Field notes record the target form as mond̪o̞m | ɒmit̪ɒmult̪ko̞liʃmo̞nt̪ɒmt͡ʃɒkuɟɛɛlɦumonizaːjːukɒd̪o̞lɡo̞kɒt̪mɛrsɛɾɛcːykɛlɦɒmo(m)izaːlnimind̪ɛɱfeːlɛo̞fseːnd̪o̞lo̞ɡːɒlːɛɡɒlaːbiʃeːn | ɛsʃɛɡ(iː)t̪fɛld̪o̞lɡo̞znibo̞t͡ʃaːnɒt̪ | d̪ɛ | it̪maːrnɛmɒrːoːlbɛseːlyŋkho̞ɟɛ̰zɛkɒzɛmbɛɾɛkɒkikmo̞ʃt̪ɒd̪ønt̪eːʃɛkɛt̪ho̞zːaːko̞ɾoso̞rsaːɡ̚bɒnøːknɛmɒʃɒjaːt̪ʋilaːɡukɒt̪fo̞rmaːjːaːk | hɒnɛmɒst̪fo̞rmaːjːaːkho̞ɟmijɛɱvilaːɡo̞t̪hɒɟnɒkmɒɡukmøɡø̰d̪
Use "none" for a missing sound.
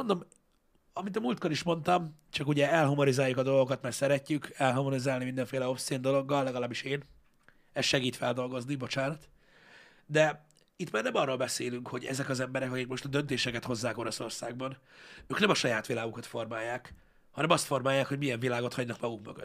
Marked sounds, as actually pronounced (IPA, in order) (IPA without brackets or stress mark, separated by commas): n, iː